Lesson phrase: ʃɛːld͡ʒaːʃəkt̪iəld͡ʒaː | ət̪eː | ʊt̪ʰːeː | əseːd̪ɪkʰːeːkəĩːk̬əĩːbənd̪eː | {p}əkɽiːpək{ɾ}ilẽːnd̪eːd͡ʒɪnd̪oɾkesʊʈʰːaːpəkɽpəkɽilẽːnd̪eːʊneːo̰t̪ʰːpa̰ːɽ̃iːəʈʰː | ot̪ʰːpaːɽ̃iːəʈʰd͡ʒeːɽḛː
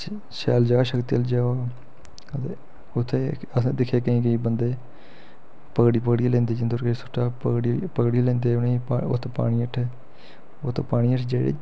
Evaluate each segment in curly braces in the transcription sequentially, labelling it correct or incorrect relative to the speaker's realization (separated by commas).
correct, incorrect